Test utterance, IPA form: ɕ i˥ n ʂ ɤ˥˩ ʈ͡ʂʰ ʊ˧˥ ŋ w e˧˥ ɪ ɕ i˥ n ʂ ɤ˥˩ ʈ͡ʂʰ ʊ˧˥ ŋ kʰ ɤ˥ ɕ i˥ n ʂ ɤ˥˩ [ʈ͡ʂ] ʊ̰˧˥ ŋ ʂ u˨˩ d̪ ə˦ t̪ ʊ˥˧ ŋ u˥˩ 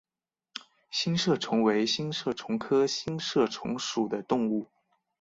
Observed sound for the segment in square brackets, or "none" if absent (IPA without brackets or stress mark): ʈ͡ʂʰ